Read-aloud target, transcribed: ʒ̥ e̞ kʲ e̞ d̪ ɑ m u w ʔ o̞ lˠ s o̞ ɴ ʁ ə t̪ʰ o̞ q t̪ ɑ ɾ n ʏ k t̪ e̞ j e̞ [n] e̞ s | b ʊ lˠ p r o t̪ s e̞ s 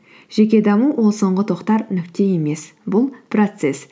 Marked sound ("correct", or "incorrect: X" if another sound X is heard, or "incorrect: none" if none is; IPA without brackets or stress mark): incorrect: m